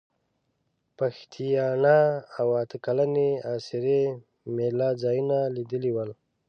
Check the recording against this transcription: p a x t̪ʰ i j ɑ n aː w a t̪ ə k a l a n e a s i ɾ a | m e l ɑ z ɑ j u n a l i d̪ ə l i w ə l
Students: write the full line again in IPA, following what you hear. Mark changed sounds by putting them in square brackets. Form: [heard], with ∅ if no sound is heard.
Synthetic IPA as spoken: p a x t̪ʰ i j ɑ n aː w a t̪ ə k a l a n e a s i ɾ [e] | m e l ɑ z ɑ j u n a l i d̪ ə l i w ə l